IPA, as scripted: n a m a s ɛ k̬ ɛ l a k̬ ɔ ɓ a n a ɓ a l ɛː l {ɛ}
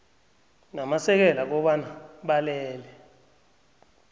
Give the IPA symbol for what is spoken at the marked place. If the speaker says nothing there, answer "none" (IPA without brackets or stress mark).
ɛ